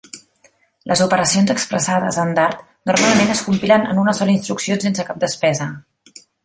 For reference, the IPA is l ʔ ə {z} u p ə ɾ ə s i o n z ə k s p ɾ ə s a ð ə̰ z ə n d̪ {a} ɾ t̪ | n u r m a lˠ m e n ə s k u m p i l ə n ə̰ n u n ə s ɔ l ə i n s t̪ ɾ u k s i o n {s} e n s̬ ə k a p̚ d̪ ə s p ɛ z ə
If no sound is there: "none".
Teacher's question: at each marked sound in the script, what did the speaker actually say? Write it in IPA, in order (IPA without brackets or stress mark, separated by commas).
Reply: z, a, s